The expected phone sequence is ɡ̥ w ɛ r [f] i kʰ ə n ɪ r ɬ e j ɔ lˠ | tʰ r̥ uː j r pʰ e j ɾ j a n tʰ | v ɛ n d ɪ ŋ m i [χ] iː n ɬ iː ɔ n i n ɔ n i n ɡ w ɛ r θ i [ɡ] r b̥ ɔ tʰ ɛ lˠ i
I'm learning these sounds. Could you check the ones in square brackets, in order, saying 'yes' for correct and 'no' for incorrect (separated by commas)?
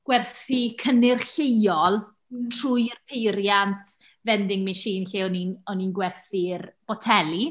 no, no, no